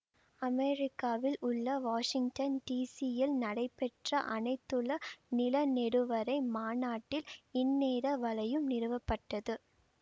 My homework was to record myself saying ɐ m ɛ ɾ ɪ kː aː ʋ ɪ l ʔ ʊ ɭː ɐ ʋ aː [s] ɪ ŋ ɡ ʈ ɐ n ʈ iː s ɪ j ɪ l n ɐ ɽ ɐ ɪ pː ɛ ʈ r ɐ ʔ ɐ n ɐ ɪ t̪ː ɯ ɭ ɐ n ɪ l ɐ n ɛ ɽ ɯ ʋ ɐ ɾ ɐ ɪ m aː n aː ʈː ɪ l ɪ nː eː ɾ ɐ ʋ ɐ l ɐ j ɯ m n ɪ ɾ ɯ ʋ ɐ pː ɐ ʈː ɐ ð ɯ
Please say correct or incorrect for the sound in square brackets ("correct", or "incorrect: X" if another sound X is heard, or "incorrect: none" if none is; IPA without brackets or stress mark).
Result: incorrect: ʂ